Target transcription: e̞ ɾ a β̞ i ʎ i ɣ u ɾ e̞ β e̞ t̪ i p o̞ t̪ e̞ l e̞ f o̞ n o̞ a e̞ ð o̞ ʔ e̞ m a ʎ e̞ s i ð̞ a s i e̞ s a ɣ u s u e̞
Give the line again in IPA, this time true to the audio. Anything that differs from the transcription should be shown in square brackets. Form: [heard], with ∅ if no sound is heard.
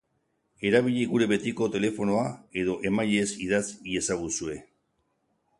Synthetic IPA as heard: e̞ ɾ a β̞ i ʎ i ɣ u ɾ e̞ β e̞ t̪ i [k] o̞ t̪ e̞ l e̞ f o̞ n o̞ a e̞ ð o̞ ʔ e̞ m a ʎ e̞ s i ð̞ a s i e̞ s a ɣ u s u e̞